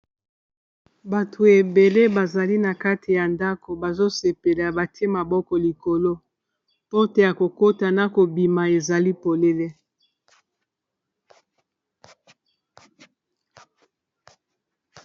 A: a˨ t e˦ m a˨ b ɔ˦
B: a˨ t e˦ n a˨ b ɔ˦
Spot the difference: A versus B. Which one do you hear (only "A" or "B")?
A